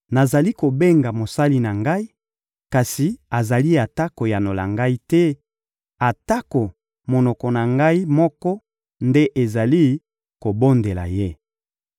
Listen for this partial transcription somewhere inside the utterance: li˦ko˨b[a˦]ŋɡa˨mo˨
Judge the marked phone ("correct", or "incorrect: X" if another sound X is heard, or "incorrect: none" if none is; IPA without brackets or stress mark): incorrect: e˦